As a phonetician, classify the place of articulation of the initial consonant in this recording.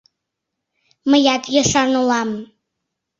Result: labial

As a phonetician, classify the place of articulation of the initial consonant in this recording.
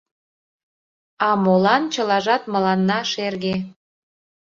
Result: labial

